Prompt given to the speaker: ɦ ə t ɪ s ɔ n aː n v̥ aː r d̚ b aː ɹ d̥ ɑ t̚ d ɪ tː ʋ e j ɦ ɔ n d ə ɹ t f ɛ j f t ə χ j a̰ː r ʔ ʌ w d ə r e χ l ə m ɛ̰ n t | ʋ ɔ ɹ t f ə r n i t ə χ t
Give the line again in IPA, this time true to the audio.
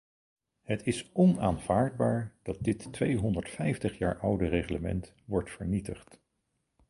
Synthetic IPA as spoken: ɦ ə t ɪ s ɔ n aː n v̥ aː ɹ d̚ b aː ɹ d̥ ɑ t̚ d ɪ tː ʋ e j ɦ ɔ n d ə ɹ t f ɛ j f t ə χ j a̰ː ɹ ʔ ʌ w d ə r e χ l ə m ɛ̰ n t | ʋ ɔ ɹ t f ə ɹ n i t ə χ t